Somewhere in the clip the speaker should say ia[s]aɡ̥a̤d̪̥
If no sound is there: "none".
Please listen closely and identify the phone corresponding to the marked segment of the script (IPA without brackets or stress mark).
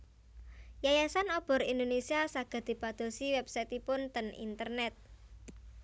s